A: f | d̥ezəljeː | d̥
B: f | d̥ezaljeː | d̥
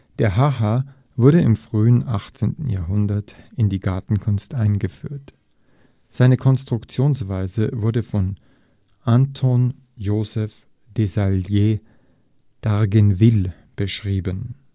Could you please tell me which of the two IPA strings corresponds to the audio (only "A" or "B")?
B